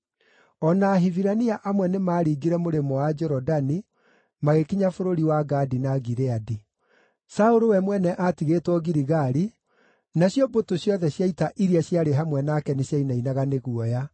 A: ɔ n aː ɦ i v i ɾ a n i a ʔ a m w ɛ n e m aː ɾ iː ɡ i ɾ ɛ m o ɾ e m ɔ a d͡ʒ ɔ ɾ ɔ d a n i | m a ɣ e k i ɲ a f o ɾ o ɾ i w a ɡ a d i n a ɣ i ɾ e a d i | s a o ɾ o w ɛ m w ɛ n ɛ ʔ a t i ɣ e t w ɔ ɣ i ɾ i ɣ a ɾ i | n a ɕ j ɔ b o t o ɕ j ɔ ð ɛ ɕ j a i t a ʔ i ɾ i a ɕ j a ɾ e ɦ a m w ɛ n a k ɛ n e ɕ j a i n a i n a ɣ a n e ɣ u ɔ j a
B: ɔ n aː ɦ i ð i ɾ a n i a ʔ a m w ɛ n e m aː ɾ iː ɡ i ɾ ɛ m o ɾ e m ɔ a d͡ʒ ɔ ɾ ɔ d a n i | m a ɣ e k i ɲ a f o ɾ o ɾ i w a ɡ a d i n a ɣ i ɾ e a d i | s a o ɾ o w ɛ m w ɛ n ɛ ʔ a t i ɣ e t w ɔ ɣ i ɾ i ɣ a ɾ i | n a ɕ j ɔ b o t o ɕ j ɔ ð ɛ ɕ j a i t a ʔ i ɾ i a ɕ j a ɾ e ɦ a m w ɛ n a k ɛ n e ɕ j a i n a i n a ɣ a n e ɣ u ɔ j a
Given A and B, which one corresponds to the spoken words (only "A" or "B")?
A